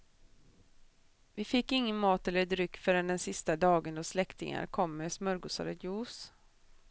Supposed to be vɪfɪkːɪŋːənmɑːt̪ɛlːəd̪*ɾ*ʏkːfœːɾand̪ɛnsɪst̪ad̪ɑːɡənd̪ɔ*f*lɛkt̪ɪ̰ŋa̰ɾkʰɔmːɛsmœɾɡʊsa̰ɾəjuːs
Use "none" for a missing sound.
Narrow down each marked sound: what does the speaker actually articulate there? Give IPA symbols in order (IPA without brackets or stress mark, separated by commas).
ɾ, s